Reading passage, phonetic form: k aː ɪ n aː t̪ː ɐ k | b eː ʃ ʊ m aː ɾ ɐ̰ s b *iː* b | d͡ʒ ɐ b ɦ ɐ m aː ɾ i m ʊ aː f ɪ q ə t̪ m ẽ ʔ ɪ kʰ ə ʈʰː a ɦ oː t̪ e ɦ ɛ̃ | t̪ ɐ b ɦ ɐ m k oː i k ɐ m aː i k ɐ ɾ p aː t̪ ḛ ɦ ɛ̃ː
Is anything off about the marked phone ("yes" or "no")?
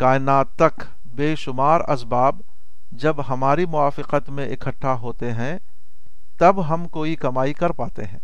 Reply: yes